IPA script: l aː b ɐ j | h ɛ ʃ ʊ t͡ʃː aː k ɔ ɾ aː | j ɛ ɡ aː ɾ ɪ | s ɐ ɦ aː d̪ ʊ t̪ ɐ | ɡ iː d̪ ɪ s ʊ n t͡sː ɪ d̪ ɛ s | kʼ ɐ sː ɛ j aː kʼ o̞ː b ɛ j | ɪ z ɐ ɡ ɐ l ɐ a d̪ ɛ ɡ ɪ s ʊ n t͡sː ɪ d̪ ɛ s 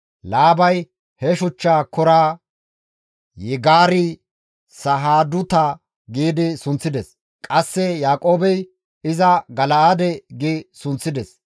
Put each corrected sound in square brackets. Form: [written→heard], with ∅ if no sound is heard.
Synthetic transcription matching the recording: l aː b ɐ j | h ɛ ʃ ʊ t͡ʃː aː k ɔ ɾ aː | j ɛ ɡ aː ɾ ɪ | s ɐ ɦ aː d̪ ʊ t̪ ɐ | ɡ iː d̪ ɪ s ʊ n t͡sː ɪ d̪ ɛ s | kʼ ɐ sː ɛ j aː kʼ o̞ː b ɛ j | ɪ z ɐ ɡ ɐ l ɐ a d̪ ɛ ɡ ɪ s ʊ n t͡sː ɪ d̪ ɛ s